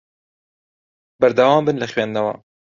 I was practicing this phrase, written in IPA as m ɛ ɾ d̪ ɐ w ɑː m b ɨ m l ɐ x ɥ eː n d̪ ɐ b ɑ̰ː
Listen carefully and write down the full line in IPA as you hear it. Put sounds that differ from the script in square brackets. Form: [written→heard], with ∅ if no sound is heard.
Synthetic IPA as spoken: [m→b] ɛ ɾ d̪ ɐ w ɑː m b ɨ [m→n] l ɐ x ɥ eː n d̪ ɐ [b→w] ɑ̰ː